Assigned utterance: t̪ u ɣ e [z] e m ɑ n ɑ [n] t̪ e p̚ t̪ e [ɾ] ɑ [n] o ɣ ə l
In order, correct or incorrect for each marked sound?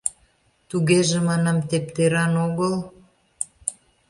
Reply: incorrect: ʒ, incorrect: m, correct, correct

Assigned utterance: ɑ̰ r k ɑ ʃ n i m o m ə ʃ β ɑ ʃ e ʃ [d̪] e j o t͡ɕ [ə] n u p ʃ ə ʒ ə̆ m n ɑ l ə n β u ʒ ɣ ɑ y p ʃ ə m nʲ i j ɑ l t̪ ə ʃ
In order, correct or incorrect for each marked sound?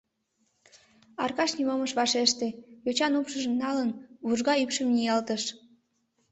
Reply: incorrect: t̪, incorrect: ɑ

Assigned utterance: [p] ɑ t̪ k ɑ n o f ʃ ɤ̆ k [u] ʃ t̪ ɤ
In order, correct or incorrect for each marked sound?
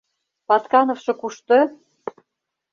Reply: correct, correct

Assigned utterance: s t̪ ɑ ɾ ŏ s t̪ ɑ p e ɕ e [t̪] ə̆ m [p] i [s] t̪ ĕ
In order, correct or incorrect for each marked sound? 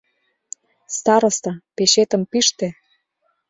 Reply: correct, correct, incorrect: ʃ

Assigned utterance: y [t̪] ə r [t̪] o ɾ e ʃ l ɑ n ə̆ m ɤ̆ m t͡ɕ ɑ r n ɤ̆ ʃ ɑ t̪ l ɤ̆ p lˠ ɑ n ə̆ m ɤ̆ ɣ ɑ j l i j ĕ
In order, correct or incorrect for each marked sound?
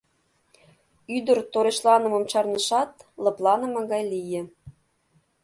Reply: incorrect: d̪, correct

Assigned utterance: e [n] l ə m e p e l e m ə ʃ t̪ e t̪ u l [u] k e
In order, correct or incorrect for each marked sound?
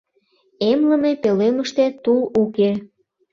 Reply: incorrect: m, correct

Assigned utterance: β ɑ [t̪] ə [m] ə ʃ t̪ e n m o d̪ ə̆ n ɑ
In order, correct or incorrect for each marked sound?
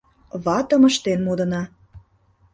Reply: correct, correct

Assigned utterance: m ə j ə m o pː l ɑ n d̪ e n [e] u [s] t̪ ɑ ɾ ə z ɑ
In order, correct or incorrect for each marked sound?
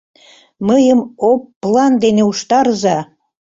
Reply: correct, incorrect: ʃ

